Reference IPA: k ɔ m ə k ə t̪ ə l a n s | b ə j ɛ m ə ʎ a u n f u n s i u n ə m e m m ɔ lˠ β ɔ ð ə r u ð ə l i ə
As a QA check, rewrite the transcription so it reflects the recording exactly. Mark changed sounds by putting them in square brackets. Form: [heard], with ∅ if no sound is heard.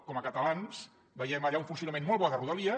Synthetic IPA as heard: k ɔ m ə k ə t̪ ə l a n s | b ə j ɛ m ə ʎ a u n f u n s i u n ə m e [n] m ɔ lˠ β ɔ ð ə r u ð ə l i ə